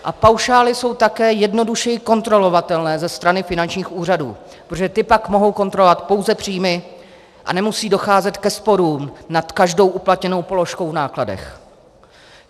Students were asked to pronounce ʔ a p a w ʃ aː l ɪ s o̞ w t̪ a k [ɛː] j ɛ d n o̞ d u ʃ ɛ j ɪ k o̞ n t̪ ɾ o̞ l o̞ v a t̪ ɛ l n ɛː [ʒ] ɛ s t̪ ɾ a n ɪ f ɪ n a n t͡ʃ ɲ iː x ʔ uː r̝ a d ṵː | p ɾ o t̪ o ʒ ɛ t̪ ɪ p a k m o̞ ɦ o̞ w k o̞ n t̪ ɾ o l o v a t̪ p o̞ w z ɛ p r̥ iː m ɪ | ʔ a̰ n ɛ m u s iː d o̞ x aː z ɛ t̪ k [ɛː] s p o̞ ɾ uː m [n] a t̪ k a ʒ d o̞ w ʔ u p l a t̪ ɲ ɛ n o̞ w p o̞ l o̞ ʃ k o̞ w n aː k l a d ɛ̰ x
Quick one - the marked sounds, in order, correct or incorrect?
correct, incorrect, incorrect, correct

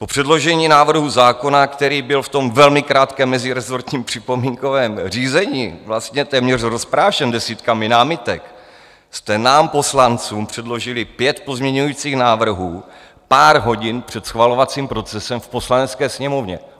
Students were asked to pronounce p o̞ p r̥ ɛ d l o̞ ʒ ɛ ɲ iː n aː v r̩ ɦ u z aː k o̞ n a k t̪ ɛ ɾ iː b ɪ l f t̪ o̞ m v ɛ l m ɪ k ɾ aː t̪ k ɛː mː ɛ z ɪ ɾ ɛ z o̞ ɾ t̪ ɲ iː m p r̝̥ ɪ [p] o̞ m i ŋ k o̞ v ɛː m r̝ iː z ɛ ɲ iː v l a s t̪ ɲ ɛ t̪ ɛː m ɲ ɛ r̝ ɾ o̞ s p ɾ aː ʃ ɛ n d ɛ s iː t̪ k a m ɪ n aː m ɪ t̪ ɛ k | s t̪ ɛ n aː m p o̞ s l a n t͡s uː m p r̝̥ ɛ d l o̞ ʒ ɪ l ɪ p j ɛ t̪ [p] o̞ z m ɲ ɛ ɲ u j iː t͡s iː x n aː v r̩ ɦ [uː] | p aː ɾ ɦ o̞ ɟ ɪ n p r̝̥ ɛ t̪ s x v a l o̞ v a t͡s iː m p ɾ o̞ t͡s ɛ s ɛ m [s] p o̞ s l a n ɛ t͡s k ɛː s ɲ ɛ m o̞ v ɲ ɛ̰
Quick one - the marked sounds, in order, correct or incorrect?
correct, correct, correct, incorrect

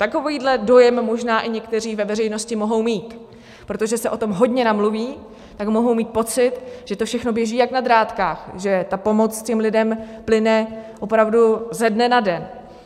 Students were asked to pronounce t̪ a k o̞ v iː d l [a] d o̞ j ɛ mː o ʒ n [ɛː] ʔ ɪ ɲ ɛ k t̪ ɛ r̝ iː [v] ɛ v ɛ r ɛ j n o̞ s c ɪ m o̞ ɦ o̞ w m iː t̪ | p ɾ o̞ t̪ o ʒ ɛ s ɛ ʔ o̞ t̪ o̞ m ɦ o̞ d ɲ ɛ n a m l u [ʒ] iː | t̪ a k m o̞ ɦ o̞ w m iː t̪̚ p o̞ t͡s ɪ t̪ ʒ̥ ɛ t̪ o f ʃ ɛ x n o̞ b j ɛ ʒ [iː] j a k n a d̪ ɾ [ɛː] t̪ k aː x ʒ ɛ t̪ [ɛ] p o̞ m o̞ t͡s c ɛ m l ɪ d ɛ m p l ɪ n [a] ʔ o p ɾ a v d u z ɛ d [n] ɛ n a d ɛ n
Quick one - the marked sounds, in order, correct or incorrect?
incorrect, incorrect, correct, incorrect, correct, incorrect, incorrect, incorrect, correct

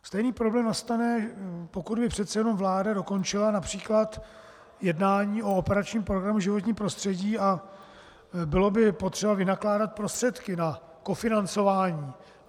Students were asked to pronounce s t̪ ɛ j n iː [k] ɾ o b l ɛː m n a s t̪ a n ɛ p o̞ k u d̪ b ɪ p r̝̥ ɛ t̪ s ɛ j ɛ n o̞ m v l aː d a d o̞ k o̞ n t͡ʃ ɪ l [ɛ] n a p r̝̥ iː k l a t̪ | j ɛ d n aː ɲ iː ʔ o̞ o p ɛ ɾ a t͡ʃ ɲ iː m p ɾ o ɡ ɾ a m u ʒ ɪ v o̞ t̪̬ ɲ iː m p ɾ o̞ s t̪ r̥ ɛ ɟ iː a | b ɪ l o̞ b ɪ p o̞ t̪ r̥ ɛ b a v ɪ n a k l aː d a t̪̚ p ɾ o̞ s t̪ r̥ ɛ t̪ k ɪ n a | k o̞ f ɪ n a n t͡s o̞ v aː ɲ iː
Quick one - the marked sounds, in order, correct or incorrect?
incorrect, incorrect

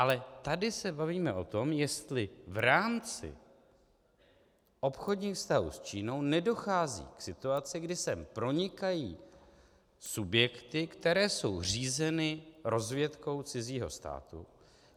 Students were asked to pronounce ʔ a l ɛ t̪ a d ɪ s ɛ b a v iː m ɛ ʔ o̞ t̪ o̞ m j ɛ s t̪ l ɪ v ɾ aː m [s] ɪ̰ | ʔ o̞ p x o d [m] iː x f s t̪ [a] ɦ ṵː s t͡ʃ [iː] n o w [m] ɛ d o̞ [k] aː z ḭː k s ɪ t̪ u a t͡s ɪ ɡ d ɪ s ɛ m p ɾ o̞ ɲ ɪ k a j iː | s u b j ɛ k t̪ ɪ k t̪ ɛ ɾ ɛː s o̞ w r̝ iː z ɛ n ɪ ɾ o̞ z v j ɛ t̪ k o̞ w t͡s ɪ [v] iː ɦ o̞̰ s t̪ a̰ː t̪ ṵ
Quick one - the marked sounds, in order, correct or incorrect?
incorrect, incorrect, correct, correct, incorrect, incorrect, incorrect

